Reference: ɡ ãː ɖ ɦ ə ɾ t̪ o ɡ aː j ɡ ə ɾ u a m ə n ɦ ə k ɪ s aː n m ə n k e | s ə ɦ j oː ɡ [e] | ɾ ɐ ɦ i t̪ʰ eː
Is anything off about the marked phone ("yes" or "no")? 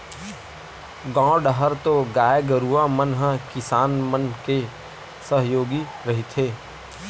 yes